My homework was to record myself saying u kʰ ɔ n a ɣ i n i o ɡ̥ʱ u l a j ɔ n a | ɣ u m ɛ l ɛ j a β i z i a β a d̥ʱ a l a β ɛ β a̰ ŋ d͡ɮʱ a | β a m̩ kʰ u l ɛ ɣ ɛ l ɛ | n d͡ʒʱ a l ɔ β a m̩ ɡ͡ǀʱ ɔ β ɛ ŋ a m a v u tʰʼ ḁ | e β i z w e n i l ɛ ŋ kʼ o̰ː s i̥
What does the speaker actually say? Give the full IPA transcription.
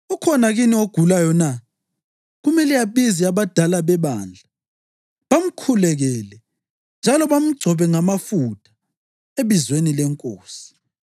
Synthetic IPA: u kʰ ɔ n a ɣ i n i o ɡ̥ʱ u l a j ɔ n a | ɣ u m ɛ l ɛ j a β i z i a β a d̥ʱ a l a β ɛ β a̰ n d͡ɮʱ a | β a m̩ kʰ u l ɛ ɣ ɛ l ɛ | n d͡ʒʱ a l ɔ β a m̩ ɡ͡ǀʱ ɔ β ɛ ŋ a m a f u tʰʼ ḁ | e β i z w e n i l ɛ ŋ kʼ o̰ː s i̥